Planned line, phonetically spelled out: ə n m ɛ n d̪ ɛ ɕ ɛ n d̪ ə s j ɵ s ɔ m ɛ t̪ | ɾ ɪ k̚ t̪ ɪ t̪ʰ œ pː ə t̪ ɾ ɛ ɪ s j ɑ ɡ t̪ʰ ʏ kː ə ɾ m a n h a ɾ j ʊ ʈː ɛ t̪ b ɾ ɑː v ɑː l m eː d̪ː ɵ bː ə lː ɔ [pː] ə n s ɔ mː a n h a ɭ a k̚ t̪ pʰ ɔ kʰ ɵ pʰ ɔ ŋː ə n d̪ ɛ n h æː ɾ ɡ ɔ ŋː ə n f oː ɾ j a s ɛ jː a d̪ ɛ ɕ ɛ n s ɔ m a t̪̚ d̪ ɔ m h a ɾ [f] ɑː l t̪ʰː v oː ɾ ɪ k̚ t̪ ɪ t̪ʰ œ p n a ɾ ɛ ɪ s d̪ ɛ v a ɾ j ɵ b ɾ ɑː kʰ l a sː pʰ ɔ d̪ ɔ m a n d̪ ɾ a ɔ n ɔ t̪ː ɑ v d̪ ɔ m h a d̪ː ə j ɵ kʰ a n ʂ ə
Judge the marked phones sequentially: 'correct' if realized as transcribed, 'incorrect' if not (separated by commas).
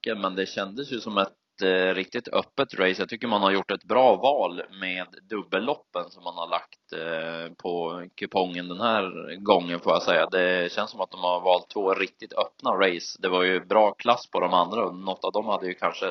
correct, incorrect